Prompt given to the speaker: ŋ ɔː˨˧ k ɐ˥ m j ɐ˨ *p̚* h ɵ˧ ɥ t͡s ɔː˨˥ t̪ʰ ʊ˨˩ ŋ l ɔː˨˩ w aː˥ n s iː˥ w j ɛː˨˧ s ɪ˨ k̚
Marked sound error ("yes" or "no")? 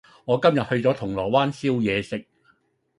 yes